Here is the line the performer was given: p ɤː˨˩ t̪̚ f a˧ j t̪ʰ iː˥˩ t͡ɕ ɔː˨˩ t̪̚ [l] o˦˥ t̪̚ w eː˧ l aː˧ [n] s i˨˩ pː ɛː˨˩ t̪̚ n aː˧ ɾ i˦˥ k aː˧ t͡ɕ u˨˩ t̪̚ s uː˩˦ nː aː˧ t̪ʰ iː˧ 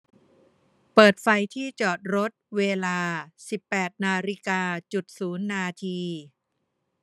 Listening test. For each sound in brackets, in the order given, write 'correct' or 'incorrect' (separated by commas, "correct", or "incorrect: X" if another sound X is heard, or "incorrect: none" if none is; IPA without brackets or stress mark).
incorrect: ɾ, incorrect: none